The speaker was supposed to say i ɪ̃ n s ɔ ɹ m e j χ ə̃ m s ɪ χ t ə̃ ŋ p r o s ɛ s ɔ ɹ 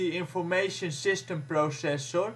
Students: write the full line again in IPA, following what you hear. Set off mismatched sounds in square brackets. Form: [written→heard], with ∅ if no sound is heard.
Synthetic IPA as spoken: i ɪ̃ n [s→f] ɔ ɹ m e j [χ→ʃ] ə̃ [m→n] s ɪ [χ→s] t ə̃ [ŋ→m] p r o s ɛ s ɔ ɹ